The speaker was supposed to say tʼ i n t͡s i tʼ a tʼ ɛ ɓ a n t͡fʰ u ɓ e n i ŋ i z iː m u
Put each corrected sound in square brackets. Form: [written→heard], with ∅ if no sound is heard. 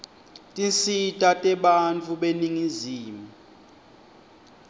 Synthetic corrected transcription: tʼ i n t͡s i tʼ a tʼ ɛ ɓ a n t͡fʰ u ɓ e n i ŋ i z iː m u